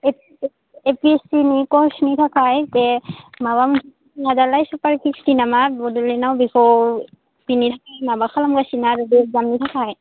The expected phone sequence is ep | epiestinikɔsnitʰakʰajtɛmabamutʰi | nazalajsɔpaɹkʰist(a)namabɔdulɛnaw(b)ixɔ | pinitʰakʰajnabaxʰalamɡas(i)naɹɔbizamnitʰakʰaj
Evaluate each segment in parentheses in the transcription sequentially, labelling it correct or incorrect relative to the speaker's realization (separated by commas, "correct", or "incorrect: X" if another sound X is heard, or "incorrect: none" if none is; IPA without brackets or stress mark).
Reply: incorrect: i, correct, correct